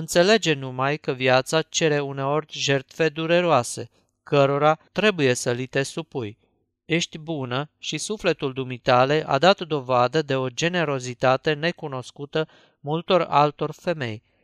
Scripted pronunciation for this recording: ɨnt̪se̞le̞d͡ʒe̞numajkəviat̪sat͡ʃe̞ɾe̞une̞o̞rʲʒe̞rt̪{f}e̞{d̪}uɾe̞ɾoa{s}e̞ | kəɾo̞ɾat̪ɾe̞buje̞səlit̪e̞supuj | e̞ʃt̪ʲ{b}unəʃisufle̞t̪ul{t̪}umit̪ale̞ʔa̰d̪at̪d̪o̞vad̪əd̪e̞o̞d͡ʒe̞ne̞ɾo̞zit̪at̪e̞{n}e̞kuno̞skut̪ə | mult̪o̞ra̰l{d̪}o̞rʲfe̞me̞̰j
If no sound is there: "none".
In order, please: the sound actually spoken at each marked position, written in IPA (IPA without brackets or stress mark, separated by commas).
f, d̪, s, b, d̪, n, t̪